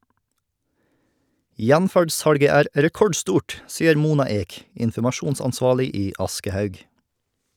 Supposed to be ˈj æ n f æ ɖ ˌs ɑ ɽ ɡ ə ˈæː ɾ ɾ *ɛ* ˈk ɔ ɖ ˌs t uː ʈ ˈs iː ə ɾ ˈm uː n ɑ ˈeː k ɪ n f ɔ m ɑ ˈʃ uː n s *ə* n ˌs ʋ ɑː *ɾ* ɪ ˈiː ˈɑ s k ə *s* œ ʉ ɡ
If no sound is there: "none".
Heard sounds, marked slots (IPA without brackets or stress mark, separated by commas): ɛ, ɑ, ɭ, h